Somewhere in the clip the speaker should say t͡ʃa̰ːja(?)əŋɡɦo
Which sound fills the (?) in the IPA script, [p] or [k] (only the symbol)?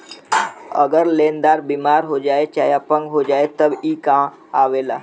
p